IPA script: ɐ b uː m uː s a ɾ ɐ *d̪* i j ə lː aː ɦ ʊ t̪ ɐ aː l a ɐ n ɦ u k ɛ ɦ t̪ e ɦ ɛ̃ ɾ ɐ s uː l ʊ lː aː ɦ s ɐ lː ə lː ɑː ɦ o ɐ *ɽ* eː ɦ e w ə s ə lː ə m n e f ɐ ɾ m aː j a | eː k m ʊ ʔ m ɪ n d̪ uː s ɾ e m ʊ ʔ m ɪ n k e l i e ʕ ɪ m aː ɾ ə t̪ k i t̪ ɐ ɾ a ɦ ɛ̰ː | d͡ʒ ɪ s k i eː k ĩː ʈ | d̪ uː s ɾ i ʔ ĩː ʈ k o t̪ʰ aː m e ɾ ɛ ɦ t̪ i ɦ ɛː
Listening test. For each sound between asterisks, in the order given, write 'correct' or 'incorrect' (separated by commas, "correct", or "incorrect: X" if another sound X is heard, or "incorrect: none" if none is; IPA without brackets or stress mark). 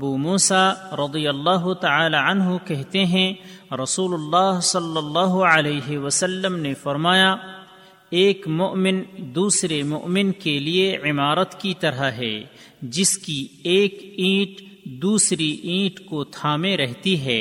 correct, incorrect: l